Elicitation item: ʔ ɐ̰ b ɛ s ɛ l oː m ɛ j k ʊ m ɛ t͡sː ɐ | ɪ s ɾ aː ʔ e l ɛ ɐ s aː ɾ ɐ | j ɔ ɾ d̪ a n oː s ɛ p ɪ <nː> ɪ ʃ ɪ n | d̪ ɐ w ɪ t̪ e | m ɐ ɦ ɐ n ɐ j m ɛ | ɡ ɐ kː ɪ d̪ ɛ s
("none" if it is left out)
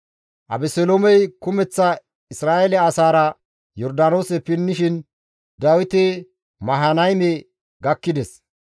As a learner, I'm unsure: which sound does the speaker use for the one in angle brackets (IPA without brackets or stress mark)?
nː